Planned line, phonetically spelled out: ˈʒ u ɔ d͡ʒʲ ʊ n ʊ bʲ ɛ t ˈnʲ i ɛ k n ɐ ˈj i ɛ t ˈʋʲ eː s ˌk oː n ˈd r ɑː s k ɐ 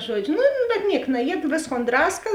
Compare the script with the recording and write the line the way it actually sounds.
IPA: ˈʒ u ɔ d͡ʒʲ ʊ n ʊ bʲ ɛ t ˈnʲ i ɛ k n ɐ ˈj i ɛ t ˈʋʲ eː s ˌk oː n ˈd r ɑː s k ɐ